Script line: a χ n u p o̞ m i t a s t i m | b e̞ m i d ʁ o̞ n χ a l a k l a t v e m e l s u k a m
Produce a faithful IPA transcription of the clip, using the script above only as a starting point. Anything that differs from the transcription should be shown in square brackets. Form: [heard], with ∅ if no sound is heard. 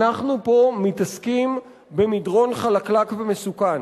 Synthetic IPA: a χ n u p o̞ m i t a s [k] i m | b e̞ m i d ʁ o̞ n χ a l a k l a [k] v e m e [∅] s u k a [n]